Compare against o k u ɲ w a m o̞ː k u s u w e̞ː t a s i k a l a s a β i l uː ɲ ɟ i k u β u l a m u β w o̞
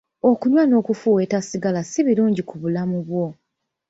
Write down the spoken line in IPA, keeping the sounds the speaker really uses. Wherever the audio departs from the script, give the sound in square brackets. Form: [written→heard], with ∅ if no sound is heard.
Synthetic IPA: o k u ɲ w a [m→n] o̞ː k u [s→f] u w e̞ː t a s i [k→ɡ] a l a s [a→i] β i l uː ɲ ɟ i k u β u l a m u β w o̞